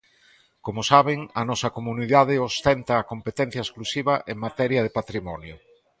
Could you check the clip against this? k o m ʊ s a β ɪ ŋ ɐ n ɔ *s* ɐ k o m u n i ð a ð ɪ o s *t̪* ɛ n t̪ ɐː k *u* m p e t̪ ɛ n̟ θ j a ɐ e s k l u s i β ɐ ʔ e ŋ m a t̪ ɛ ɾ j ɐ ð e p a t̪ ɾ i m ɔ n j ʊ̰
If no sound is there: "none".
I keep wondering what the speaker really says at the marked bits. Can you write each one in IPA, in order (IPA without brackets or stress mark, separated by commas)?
s, t̪, o